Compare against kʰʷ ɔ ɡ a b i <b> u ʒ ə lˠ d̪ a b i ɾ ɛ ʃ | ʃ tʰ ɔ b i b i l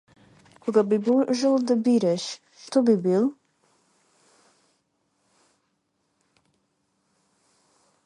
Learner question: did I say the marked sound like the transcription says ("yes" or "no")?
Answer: yes